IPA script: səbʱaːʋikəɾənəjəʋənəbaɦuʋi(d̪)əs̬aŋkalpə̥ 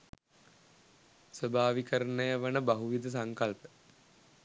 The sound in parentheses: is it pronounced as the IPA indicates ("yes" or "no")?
yes